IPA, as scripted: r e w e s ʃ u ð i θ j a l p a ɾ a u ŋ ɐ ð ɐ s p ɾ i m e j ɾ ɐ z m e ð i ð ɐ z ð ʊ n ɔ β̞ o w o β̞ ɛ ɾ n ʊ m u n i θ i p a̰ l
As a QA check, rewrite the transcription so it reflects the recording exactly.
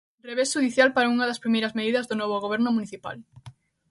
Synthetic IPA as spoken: r e β e s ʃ u ð i θ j a l p a ɾ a u ŋ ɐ ð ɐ s p ɾ i m e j ɾ ɐ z m e ð i ð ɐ z ð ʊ n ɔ β̞ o ɣ o β̞ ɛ ɾ n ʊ m u n i θ i p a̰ l